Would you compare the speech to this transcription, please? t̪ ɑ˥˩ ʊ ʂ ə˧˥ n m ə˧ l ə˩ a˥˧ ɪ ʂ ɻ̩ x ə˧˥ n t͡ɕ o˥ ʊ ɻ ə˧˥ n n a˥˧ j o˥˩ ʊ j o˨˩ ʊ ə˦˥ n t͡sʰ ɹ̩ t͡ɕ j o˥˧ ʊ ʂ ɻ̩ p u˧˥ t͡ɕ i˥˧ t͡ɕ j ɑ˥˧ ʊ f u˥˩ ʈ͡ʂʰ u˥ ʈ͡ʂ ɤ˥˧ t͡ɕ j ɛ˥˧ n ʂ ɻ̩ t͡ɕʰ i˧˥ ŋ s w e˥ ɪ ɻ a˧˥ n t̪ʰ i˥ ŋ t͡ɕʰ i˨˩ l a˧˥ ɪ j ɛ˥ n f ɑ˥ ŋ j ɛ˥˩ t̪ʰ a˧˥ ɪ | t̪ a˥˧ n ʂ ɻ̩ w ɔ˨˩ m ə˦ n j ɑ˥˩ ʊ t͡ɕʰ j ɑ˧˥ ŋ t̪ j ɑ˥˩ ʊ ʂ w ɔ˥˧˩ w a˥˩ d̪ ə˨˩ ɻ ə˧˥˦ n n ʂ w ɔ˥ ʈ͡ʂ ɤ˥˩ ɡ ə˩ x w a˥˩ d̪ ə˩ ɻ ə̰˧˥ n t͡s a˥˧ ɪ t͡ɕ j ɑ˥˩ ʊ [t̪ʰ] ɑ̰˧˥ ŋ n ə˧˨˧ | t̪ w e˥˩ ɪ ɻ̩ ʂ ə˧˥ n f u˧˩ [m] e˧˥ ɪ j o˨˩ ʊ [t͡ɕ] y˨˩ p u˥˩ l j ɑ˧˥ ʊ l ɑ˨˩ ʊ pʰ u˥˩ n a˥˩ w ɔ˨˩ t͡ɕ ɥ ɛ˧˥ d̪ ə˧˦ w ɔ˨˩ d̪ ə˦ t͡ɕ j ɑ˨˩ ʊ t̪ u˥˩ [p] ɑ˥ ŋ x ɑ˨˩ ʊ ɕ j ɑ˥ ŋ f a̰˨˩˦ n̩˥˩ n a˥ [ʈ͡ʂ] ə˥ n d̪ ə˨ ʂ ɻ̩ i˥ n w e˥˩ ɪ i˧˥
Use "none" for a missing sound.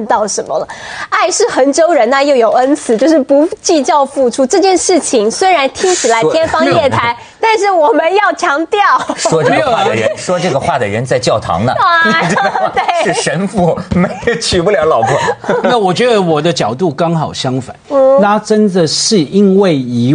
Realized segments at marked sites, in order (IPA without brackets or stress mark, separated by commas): t̪ʰ, m, t͡ɕʰ, k, ʈ͡ʂ